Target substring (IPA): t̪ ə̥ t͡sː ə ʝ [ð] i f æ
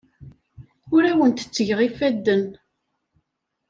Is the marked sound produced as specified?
no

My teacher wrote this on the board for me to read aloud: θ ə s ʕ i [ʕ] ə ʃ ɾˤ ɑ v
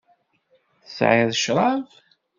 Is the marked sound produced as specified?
no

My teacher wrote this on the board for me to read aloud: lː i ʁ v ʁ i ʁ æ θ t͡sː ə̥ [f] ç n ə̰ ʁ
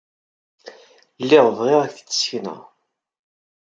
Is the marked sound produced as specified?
no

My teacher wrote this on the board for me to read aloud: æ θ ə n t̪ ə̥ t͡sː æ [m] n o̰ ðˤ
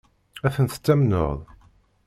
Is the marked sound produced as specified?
yes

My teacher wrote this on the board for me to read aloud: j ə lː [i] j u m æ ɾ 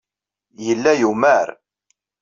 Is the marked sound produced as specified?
no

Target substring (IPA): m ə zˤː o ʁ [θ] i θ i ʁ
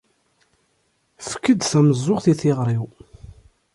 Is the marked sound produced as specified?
yes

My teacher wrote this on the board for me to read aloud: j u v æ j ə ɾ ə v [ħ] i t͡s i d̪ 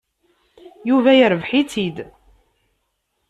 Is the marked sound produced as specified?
yes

